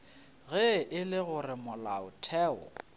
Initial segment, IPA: ɣ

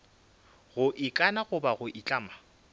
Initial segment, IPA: ɣ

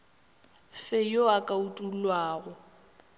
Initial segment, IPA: f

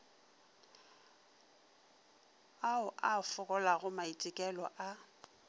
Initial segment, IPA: a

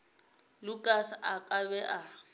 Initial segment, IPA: l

